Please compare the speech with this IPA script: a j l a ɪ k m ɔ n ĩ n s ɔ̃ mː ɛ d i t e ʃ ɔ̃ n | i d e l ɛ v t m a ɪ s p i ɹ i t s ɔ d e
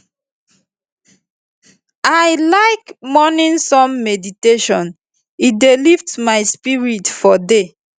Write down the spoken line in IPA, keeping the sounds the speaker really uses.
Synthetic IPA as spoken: a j l a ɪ k m ɔ n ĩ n s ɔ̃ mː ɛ d i t e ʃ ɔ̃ n | i d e l i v t m a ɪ s p i ɹ i t f ɔ d e

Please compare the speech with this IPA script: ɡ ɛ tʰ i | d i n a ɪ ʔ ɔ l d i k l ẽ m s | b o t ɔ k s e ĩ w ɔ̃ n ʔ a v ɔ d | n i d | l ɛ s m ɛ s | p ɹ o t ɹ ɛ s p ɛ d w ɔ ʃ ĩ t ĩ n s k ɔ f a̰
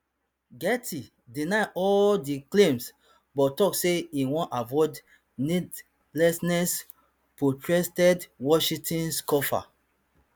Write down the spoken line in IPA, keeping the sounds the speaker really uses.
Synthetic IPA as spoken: ɡ ɛ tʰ i | d i n a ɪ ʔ ɔ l d i k l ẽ m s | b ɔ t ɔ k s e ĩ w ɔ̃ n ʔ a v ɔ d | n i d | l ɛ s n ɛ s | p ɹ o t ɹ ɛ s t ɛ d w ɔ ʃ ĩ t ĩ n s k ɔ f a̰

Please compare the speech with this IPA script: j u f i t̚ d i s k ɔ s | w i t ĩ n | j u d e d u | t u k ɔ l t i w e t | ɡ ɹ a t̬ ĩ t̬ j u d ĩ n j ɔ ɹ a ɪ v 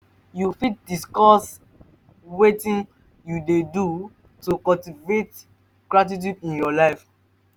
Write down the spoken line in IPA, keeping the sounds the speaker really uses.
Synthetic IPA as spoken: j u f i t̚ d i s k ɔ s | w e t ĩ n | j u d e d u | t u k ɔ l t i v e t | ɡ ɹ a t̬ i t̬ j u d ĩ n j ɔ l a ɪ f

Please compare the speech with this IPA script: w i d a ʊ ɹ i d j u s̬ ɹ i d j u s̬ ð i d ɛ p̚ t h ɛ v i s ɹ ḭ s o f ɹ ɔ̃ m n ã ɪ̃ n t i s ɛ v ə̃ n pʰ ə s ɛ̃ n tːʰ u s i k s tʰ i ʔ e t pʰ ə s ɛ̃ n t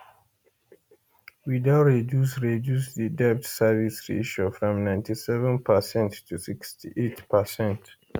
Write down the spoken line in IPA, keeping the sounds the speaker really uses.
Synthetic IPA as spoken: w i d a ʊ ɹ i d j u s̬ ɹ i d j u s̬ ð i d ɛ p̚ t s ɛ v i s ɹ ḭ ʃ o f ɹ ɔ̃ m n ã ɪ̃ n t i s ɛ v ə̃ n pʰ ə s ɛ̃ n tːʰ u s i k s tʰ i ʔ e t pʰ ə s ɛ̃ n t

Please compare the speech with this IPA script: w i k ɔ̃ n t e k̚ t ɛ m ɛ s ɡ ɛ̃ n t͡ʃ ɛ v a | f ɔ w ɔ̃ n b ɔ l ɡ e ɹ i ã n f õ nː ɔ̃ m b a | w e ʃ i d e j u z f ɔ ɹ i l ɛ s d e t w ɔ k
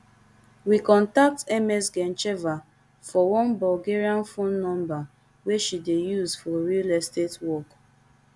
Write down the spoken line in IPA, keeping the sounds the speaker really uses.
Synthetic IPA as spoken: w i k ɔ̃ n t a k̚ t ɛ m ɛ s ɡ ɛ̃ n t͡ʃ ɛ v a | f ɔ w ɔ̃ n b ɔ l ɡ e ɹ i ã n f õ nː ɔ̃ m b a | w e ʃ i d e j u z f ɔ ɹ i l ɛ s t e t w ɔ k

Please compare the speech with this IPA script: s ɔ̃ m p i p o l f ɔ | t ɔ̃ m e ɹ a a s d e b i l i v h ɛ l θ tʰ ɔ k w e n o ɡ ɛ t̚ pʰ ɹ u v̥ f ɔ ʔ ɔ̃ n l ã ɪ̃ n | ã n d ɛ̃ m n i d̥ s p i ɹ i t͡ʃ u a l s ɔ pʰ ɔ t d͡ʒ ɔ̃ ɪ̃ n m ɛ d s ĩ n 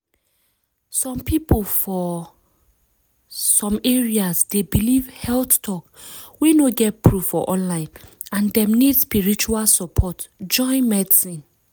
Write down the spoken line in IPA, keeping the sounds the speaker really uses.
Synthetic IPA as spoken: s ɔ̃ m p i p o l f ɔ | s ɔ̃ m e ɹ i a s d e b i l i v h ɛ l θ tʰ ɔ k w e n o ɡ ɛ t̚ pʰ ɹ u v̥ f ɔ ʔ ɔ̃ n l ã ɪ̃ n | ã n d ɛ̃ m n i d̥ s p i ɹ i t͡ʃ u a l s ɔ pʰ ɔ t d͡ʒ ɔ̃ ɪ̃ n m ɛ d s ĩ n

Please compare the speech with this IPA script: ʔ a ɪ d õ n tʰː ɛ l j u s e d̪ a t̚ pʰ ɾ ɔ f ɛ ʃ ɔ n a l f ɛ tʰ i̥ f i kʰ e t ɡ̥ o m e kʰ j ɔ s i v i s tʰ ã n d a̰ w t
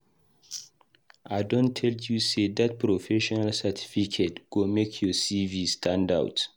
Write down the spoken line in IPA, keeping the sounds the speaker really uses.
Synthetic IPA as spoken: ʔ a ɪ d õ n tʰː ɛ l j u s e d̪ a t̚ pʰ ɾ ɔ f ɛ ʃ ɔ n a l s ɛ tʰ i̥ f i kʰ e t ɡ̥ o m e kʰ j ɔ s i v i s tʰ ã n d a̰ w t

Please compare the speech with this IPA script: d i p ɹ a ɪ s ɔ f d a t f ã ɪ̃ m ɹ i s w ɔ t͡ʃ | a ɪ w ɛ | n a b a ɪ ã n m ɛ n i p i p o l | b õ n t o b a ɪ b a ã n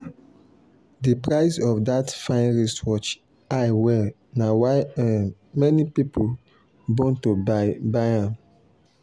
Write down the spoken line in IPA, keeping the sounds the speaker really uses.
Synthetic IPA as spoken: d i p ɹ a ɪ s ɔ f d a t f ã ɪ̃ n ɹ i s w ɔ t͡ʃ | a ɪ w ɛ | n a w a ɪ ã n m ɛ n i p i p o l | b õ n t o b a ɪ b a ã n

